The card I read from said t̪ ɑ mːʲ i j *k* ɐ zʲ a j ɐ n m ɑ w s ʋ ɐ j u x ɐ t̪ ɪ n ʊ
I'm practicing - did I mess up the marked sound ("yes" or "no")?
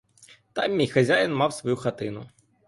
yes